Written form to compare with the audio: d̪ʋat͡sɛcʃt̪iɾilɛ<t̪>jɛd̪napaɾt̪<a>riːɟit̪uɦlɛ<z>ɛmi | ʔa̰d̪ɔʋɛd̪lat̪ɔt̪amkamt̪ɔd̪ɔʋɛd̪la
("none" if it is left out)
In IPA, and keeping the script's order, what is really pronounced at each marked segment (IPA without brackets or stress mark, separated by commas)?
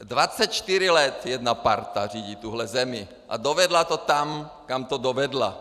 t̪, a, z